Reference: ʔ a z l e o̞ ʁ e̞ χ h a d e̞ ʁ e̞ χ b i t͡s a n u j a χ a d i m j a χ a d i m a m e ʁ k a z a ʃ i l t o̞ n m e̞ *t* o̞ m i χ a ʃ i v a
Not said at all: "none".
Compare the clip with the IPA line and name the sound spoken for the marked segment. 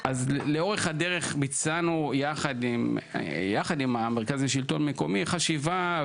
k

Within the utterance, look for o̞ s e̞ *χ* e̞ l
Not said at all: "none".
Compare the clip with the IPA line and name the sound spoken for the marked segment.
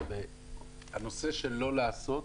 ʃ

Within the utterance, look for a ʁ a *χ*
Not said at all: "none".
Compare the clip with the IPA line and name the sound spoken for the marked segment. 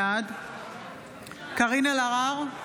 ʁ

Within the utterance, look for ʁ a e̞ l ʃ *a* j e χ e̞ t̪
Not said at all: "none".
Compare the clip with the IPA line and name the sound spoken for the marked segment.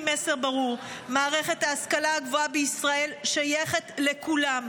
a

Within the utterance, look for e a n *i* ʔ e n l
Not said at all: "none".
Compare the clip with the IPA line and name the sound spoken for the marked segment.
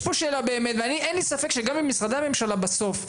i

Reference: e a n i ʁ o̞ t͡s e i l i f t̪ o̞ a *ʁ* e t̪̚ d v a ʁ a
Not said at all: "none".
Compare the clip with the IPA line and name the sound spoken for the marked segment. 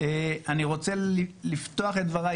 χ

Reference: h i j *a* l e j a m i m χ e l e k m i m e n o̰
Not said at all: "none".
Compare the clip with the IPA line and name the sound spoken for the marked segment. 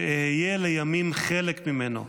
e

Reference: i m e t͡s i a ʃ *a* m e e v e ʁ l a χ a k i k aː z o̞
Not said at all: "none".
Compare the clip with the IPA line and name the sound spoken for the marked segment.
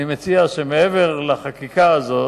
e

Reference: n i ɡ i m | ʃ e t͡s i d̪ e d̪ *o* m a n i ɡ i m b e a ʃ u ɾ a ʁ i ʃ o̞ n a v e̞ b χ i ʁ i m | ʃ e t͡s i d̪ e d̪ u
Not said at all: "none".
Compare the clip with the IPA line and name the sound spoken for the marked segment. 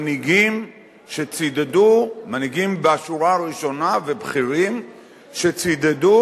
u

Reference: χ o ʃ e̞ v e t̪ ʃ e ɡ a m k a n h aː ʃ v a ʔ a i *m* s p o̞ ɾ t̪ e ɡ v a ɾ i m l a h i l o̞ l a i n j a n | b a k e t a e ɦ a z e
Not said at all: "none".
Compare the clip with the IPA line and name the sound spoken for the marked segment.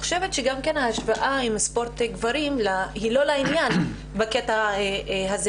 m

